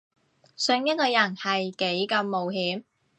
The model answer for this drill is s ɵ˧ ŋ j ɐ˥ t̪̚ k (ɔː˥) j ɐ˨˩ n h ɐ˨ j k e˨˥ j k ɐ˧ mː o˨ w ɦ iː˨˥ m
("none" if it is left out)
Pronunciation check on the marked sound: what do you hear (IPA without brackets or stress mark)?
ɔː˧